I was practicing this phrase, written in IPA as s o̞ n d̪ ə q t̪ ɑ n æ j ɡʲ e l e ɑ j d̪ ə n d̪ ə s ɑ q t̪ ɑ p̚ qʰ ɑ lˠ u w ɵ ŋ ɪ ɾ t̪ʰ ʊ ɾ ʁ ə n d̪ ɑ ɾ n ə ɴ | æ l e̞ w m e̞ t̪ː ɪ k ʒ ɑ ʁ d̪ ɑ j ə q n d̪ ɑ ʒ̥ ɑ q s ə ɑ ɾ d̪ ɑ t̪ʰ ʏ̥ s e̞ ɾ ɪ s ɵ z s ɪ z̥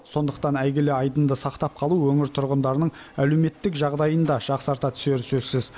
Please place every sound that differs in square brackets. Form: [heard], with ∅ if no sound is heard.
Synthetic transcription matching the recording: s o̞ n d̪ ə q t̪ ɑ n æ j ɡʲ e l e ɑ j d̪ ə n d̪ ə s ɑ q t̪ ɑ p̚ qʰ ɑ lˠ u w ɵ ŋ ɪ ɾ t̪ʰ ʊ ɾ ʁ ə n d̪ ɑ ɾ n ə ɴ | æ l e̞ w m e̞ t̪ː ɪ k ʒ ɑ ʁ d̪ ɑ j ə [∅] n d̪ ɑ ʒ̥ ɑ q s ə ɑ ɾ [t̪] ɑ t̪ʰ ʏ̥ s e̞ ɾ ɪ s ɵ z s ɪ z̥